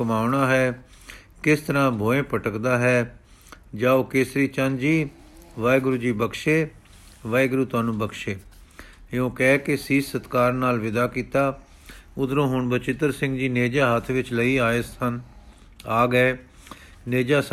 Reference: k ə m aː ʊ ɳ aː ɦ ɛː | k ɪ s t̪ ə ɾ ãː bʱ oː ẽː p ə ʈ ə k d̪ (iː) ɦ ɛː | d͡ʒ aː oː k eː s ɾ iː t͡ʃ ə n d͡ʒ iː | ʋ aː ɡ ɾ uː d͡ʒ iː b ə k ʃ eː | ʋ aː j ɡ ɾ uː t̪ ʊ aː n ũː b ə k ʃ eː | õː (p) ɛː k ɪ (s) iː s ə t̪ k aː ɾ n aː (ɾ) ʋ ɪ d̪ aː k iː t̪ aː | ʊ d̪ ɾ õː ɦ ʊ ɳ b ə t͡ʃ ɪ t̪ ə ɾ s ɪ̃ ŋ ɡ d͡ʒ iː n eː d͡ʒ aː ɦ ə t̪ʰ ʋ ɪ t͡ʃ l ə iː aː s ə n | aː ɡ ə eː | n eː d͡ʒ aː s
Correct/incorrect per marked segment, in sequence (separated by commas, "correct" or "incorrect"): incorrect, incorrect, correct, incorrect